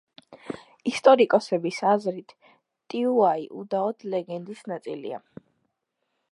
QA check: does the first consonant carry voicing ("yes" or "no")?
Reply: no